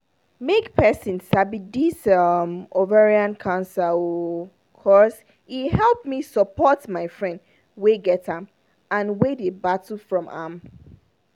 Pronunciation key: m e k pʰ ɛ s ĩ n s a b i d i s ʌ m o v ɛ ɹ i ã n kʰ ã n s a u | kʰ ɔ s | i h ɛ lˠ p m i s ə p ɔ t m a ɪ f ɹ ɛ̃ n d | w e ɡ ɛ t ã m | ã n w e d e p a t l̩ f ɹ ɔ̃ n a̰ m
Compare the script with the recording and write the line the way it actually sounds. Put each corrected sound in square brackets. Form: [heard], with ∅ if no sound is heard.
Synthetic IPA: m e k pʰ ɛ s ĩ n s a b i d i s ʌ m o v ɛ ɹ i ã n kʰ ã n s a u | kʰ ɔ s | i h ɛ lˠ p m i s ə p ɔ t m a ɪ f ɹ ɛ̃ n d | w e ɡ ɛ t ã m | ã n w e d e [b] a t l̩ f ɹ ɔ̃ [m] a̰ m